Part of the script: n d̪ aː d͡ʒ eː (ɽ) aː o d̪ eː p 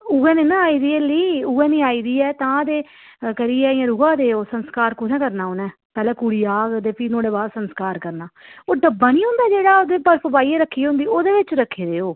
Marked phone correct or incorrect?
correct